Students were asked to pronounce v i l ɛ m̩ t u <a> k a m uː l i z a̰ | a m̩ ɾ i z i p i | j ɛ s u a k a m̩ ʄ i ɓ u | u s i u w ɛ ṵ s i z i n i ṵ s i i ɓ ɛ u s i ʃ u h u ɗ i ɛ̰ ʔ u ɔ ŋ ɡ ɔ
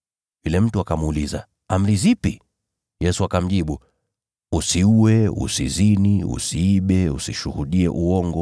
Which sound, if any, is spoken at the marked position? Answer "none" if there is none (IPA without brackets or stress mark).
a